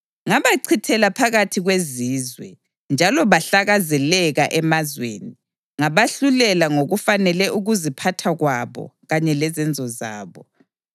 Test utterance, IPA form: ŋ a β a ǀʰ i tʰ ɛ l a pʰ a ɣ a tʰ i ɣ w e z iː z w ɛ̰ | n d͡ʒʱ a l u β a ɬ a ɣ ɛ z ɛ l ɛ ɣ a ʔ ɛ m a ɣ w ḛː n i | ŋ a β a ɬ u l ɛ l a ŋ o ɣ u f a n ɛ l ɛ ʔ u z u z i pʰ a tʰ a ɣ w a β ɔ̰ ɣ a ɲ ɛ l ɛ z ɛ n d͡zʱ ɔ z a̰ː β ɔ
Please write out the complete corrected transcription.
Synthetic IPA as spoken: ŋ a β a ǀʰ i tʰ ɛ l a pʰ a ɣ a tʰ i ɣ w e z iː z w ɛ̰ | n d͡ʒʱ a l ɔ β a ɬ a ɣ a z ɛ l ɛ ɣ a ʔ ɛ m a z w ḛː n i | ŋ a β a ɬ u l ɛ l a ŋ o ɣ u f a n ɛ l ɛ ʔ u ɣ u z i pʰ a tʰ a ɣ w a β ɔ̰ ɣ a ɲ ɛ l ɛ z ɛ n d͡zʱ ɔ z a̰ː β ɔ